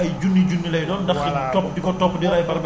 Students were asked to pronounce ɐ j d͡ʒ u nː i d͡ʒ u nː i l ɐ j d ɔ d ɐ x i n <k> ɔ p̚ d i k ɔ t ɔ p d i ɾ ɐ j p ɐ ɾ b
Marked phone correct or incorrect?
incorrect